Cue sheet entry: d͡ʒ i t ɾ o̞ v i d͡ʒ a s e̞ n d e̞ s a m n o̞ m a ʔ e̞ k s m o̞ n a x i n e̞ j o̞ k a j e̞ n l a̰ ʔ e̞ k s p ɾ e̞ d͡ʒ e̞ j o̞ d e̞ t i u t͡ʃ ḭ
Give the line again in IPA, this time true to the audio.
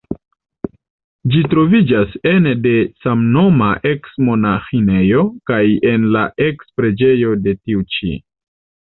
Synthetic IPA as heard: d͡ʒ i t ɾ o̞ v i d͡ʒ a s e̞ n d e̞ s a m n o̞ m a ʔ e̞ k s m o̞ n a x i n e̞ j o̞ k a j e̞ n l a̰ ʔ e̞ k s p ɾ e̞ d͡ʒ e̞ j o̞ d e̞ t i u t͡ʃ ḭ